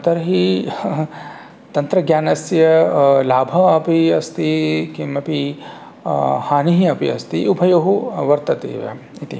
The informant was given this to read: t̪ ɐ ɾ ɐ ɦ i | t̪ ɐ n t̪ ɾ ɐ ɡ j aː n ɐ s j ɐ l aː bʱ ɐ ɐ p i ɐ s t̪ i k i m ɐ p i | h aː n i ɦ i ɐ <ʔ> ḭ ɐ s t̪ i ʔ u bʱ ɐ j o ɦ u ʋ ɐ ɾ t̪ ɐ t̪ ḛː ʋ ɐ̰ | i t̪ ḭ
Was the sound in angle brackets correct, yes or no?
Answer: no